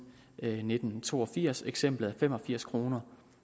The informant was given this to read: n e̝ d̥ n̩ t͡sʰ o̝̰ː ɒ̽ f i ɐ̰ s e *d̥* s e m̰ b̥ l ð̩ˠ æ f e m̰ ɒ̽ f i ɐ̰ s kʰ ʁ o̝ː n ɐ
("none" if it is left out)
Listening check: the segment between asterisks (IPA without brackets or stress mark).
ɡ̥